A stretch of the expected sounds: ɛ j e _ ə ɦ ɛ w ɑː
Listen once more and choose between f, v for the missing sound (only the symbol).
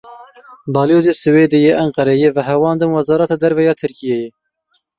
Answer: v